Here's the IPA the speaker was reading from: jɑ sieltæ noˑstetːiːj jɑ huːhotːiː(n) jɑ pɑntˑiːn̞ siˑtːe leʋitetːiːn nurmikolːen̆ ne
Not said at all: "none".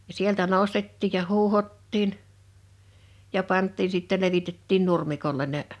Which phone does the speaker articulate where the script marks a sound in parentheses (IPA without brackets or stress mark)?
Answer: n